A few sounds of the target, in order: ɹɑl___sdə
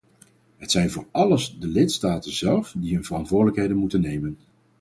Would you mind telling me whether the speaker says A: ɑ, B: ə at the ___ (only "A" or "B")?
B